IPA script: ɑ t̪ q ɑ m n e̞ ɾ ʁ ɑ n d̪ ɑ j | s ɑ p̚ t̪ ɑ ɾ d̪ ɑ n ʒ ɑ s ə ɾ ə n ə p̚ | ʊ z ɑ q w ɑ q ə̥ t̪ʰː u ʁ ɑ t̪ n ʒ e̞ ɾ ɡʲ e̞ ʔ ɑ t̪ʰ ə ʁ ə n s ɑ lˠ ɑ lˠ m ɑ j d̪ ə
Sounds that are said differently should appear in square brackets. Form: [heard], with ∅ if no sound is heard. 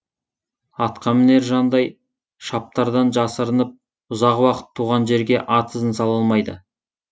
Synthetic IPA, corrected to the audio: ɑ t̪ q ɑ m n e̞ ɾ [ʒ] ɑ n d̪ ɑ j | [ʃ] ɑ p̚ t̪ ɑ ɾ d̪ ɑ n ʒ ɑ s ə ɾ ə n ə p̚ | ʊ z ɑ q w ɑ q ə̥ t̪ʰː u ʁ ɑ [∅] n ʒ e̞ ɾ ɡʲ e̞ ʔ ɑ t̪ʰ ə [z] ə n s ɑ lˠ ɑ lˠ m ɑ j d̪ ə